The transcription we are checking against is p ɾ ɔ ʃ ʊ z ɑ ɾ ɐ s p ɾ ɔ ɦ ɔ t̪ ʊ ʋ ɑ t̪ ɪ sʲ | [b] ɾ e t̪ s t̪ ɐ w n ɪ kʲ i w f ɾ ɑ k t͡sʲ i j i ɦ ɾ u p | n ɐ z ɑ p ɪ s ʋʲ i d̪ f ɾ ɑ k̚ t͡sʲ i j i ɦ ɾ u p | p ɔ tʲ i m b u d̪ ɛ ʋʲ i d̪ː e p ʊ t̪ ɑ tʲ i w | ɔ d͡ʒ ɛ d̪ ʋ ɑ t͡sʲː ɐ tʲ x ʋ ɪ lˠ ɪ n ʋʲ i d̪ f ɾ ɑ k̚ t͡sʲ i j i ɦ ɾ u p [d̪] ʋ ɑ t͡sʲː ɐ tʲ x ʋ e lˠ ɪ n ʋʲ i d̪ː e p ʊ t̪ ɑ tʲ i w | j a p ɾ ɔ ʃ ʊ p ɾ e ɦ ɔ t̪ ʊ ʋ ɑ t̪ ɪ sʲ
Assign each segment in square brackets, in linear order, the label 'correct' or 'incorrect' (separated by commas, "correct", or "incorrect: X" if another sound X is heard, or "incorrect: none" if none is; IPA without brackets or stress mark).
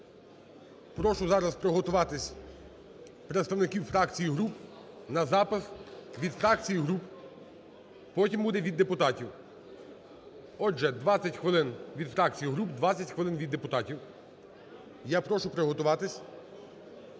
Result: incorrect: p, correct